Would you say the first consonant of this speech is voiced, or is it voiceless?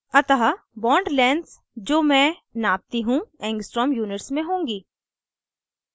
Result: voiceless